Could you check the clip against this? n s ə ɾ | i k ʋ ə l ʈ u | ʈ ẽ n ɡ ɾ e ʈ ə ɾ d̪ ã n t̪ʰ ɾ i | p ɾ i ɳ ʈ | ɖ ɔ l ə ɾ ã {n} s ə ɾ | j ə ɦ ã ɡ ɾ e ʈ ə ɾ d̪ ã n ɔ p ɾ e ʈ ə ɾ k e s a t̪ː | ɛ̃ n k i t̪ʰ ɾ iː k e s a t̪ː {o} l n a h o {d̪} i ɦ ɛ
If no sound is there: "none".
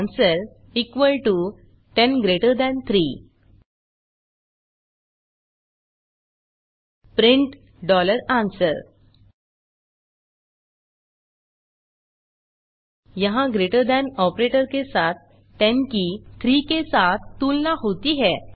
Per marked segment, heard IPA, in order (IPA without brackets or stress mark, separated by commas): n, u, t̪